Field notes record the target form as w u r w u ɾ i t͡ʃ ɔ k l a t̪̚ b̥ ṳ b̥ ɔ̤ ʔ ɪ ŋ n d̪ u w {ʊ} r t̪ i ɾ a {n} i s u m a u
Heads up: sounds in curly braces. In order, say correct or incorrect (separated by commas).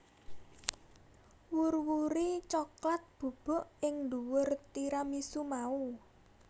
correct, incorrect